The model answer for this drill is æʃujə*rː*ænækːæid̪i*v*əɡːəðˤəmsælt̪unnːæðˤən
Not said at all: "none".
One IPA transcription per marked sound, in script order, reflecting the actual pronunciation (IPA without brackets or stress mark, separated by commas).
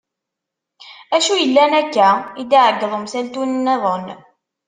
lː, ʕ